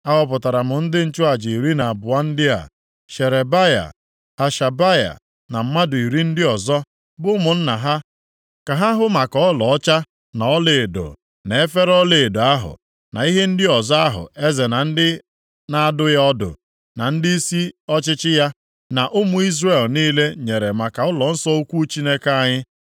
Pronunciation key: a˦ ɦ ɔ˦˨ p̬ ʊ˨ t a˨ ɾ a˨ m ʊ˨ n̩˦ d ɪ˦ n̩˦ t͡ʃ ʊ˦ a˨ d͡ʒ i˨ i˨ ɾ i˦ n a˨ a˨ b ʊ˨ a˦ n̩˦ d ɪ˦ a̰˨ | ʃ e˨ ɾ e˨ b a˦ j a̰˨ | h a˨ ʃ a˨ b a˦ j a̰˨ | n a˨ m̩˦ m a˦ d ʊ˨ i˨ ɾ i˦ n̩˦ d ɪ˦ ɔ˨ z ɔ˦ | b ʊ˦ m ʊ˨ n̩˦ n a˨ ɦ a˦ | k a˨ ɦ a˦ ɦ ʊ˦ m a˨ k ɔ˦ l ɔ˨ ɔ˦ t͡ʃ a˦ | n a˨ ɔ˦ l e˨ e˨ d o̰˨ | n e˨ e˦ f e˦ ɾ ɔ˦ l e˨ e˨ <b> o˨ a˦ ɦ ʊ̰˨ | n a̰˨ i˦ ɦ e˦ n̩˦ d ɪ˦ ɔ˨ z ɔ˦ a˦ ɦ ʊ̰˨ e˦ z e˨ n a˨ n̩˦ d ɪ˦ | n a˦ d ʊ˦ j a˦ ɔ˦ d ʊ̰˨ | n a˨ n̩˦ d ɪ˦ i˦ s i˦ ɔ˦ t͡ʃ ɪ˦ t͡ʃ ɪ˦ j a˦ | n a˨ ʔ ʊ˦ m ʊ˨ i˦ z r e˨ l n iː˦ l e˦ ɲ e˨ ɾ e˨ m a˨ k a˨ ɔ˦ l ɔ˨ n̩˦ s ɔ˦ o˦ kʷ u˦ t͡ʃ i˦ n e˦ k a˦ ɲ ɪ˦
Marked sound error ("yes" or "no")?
yes